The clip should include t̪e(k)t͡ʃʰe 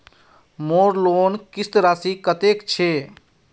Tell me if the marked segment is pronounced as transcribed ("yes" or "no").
yes